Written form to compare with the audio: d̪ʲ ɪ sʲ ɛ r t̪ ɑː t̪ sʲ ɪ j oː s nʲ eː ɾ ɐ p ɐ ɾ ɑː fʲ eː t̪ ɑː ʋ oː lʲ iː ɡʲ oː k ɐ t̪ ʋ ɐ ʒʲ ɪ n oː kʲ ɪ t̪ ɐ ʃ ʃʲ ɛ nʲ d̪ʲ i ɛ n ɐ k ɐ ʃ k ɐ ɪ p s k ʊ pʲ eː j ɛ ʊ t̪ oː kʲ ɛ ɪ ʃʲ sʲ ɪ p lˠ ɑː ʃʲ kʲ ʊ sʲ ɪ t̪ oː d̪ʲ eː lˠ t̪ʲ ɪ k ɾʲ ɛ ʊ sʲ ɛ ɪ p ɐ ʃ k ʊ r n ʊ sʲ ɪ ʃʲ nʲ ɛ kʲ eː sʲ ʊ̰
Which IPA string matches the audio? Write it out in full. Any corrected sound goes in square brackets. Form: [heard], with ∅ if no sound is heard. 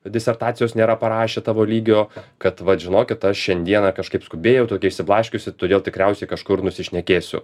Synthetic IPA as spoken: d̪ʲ ɪ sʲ ɛ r t̪ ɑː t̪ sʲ ɪ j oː s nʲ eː ɾ ɐ p ɐ ɾ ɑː [ʃʲ] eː t̪ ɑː ʋ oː lʲ iː ɡʲ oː k ɐ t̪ ʋ ɐ ʒʲ ɪ n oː kʲ ɪ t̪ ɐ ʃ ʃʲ ɛ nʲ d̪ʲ i ɛ n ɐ k ɐ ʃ k ɐ ɪ p s k ʊ [bʲ] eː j ɛ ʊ t̪ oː kʲ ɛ ɪ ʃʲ sʲ ɪ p lˠ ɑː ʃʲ kʲ ʊ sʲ ɪ t̪ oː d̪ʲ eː lˠ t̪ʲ ɪ k ɾʲ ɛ ʊ sʲ ɛ ɪ [k] ɐ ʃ k ʊ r n ʊ sʲ ɪ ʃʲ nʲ ɛ kʲ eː sʲ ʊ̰